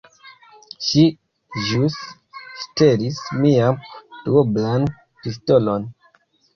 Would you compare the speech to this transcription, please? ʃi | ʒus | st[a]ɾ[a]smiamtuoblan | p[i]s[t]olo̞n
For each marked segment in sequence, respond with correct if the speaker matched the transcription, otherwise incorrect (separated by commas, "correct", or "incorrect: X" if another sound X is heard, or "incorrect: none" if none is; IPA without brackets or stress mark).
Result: incorrect: e, incorrect: i, correct, correct